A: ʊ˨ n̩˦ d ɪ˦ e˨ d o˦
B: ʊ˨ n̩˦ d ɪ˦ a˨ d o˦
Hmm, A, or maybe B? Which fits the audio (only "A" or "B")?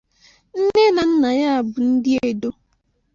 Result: A